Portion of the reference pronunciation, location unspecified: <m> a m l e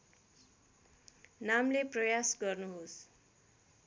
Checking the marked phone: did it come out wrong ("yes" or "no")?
yes